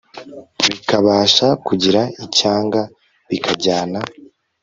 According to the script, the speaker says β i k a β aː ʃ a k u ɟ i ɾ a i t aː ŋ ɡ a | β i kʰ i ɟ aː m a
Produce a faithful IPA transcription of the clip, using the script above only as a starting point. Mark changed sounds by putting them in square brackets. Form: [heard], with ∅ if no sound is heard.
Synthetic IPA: β i k a β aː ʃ a k u ɟ i ɾ a i [c] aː ŋ ɡ a | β i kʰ [a] ɟ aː [n] a